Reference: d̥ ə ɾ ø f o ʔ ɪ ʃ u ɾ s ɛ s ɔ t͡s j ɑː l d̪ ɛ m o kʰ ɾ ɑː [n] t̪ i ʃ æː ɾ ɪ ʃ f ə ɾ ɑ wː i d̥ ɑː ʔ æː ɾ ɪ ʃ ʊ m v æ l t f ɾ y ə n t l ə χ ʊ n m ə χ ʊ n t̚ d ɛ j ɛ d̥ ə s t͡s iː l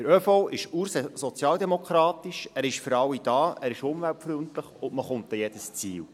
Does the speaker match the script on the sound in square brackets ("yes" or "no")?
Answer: no